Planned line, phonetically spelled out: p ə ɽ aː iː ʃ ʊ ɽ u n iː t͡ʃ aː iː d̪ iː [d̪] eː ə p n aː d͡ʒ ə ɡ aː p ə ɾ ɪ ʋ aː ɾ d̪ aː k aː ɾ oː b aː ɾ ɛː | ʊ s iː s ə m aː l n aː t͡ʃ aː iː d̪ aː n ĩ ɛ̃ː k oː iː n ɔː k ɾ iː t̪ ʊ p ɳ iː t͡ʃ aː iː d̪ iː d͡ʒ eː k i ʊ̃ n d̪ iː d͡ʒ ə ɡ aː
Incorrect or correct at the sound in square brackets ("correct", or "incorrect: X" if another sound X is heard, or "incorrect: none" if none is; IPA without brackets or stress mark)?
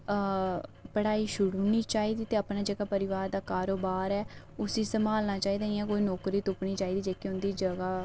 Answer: incorrect: t̪